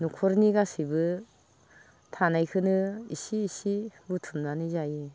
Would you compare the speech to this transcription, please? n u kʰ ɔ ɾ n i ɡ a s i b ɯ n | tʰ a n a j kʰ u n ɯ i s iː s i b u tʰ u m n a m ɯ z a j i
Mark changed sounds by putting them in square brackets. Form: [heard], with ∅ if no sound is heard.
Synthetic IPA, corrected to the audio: n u kʰ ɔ ɾ n i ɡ a s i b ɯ [∅] | tʰ a n a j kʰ [ɯ] n ɯ i s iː s i b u tʰ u m n a [n] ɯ z a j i